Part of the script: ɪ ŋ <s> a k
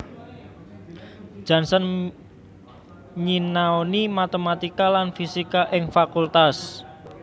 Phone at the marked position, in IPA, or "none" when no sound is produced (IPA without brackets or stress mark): f